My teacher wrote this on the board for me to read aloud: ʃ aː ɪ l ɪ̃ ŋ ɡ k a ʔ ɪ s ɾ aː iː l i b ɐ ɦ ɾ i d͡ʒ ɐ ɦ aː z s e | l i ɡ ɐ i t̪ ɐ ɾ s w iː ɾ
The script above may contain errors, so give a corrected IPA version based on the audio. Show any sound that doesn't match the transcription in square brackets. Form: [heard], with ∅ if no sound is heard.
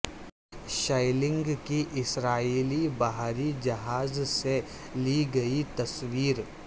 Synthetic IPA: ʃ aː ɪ l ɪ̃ ŋ ɡ k [i] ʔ ɪ s ɾ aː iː l i b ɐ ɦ ɾ i d͡ʒ ɐ ɦ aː z s e | l i ɡ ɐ i t̪ ɐ [∅] s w iː ɾ